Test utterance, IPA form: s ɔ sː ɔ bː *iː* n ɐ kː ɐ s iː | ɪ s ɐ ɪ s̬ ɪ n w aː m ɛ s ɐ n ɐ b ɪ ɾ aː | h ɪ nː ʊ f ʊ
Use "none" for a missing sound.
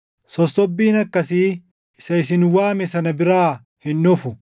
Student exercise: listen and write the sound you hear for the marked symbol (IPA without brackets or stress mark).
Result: iː